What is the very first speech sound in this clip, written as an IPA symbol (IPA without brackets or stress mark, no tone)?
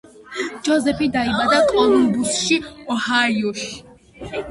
d͡ʒ